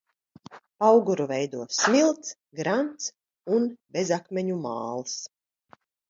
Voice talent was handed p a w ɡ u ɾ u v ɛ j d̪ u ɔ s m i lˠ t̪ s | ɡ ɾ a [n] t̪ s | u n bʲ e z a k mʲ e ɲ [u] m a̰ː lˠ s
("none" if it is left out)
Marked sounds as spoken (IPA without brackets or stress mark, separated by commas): n, u